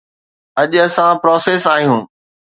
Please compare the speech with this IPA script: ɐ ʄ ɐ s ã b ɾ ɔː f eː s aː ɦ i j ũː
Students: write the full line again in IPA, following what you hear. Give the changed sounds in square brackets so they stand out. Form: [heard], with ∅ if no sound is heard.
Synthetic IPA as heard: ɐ ʄ ɐ s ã [p] ɾ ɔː [s] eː s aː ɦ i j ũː